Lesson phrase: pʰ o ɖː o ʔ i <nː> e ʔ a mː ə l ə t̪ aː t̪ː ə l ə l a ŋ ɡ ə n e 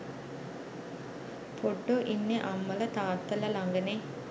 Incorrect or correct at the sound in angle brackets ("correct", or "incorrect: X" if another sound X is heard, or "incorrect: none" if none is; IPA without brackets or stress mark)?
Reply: correct